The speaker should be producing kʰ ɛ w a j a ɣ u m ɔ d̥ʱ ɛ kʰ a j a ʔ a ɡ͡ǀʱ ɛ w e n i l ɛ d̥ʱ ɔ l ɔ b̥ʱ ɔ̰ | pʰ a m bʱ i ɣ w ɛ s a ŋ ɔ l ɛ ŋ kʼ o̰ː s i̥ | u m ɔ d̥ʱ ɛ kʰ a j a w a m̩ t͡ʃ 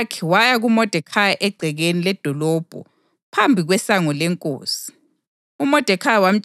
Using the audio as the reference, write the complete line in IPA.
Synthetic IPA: kʰ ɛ w a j a ɣ u m ɔ d̥ʱ ɛ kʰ a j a ʔ ɛ ɡ͡ǀʱ ɛ ɣ e n i l ɛ d̥ʱ ɔ l ɔ b̥ʱ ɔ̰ | pʰ a m bʱ i ɣ w ɛ s a ŋ ɔ l ɛ ŋ kʼ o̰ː s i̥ | u m ɔ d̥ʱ ɛ kʰ a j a w a m̩ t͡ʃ

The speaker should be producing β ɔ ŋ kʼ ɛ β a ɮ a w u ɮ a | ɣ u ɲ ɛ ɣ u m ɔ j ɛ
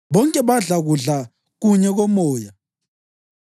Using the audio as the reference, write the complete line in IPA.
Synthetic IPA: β ɔ ŋ kʼ ɛ β a ɮ a ɣ u ɮ a | ɣ u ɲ ɛ ɣ ɔ m ɔː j a

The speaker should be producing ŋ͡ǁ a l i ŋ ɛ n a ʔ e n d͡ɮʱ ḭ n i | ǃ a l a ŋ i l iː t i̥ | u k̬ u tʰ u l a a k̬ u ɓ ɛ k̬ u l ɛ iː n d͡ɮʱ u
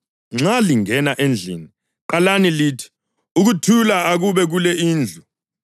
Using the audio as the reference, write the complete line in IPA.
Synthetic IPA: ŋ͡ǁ a l i ŋ ɛ n a ʔ e n d͡ɮʱ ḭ n i | ǃ a l a n i l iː tʰ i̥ | u k̬ u tʰ u l a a k̬ u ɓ ɛ k̬ u l ɛ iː n d͡ɮʱ u

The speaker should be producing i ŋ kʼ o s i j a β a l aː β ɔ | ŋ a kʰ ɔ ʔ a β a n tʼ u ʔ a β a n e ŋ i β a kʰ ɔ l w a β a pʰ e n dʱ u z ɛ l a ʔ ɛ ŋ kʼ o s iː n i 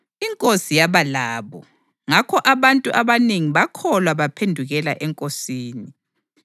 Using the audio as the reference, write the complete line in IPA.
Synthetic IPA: i ŋ kʼ o s i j a β a l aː β ɔ | ŋ a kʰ ɔ ʔ a β a n tʼ u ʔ a β a n e ŋ i β a kʰ ɔ l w a β a pʰ e n dʱ u ɣ ɛ l a ʔ ɛ ŋ kʼ o s iː n i

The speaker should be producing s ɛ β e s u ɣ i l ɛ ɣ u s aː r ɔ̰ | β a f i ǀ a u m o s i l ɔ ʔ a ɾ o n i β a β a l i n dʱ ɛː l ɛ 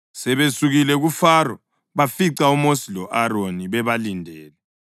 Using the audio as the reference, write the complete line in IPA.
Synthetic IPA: s ɛ β e s u ɣ i l ɛ ɣ u f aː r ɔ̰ | β a f i ǀ a u m o s i l ɔ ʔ a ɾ o n i β ɛ β a l i n dʱ ɛː l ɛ

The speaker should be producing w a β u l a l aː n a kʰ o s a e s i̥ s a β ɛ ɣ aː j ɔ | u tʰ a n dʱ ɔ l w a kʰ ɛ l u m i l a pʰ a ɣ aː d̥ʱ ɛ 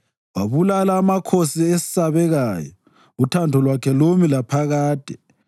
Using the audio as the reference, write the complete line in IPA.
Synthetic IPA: w a β u l a l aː m a kʰ o s i e s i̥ s a β ɛ ɣ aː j ɔ | u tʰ a n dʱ ɔ l w a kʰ ɛ l o m i l a pʰ a ɣ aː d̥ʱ ɛ

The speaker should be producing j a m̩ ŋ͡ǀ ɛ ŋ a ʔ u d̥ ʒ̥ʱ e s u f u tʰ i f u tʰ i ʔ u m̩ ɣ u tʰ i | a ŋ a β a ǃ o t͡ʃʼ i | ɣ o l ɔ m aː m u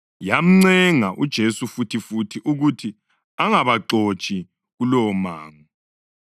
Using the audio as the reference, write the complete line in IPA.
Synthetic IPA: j a m̩ ŋ͡ǀ ɛ ŋ a ʔ u d̥ ʒ̥ʱ e s u f u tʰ i f u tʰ i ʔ u ɣ u tʰ i | a ŋ a β a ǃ o t͡ʃʼ i | ɣ u l ɔ m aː ŋ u

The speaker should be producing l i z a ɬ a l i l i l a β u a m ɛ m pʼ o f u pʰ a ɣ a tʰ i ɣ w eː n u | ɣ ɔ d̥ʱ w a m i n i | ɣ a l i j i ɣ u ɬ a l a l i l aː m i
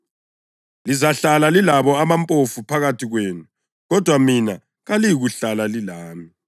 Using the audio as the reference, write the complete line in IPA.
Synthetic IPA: l i z a ɬ a l a l i l a β ɔ a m a m pʼ o f u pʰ a ɣ a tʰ i ɣ w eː n u | ɣ ɔ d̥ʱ w a m i n a | ɣ a l i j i ɣ u ɬ a l a l i l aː m i

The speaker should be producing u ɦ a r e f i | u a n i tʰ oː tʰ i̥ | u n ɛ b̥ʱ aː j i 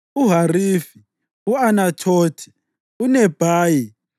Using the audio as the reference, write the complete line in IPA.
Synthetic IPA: u ɦ a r i f i | u a n a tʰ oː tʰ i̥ | u n ɛ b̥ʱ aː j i

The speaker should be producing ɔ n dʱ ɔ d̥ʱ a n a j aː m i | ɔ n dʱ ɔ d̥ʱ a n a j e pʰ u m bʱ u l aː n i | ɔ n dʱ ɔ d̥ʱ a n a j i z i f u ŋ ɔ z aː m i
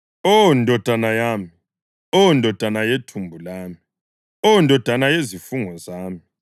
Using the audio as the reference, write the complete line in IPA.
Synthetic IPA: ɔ n dʱ ɔ d̥ʱ a n a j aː m i | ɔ n dʱ ɔ d̥ʱ a n a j e tʰ u m bʱ u l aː m i | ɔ n dʱ ɔ d̥ʱ a n a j e z i f u ŋ ɔ z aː m i

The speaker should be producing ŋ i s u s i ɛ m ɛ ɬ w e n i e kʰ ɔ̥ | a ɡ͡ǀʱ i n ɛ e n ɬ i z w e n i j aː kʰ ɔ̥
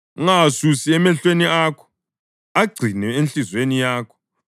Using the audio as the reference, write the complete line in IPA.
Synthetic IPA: ŋ a s u s i ɛ m ɛ ɬ w e n i a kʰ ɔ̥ | a ɡ͡ǀʱ i n ɛ e n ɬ i z w e n i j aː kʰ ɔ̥

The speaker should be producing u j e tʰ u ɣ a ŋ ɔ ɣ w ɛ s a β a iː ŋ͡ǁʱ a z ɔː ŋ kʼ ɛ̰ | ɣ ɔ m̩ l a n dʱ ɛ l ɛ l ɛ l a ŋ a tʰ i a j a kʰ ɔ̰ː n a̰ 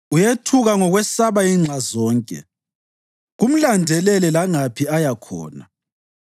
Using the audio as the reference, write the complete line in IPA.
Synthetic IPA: u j e tʰ u ɣ a ŋ ɔ ɣ w ɛ s a β a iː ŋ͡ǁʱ a z ɔː ŋ kʼ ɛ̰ | ɣ u m̩ l a n dʱ ɛ l ɛ l ɛ l a ŋ a pʰ i a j a kʰ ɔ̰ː n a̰

